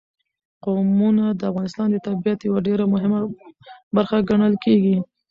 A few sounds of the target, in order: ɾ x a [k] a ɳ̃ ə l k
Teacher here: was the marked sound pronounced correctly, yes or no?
no